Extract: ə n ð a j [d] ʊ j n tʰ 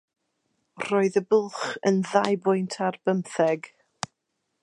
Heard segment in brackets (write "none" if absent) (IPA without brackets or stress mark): b